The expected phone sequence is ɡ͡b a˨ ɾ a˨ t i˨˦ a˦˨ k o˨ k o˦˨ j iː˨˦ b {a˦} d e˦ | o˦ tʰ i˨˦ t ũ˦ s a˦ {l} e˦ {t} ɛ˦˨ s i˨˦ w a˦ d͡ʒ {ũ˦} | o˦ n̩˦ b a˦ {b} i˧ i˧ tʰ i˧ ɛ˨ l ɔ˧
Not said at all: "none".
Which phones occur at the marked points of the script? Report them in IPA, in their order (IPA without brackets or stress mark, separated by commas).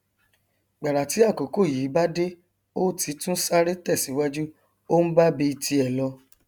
a˦, ɾ, t, u˦, b